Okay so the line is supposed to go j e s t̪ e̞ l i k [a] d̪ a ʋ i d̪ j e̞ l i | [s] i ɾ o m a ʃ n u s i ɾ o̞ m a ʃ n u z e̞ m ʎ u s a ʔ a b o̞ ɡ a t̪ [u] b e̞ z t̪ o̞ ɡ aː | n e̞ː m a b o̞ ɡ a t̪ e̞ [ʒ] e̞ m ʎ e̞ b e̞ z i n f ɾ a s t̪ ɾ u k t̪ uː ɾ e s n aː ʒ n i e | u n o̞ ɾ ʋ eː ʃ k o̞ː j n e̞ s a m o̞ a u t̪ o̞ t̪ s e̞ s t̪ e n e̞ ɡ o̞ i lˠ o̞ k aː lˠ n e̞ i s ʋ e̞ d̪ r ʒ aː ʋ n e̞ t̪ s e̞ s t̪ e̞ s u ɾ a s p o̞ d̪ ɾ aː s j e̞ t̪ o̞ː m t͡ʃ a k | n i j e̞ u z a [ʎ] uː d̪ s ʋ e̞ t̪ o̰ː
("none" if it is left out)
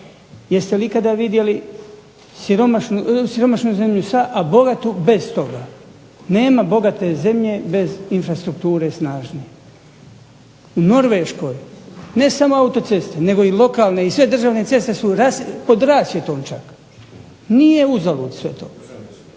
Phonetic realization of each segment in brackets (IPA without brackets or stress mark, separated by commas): a, s, u, z, l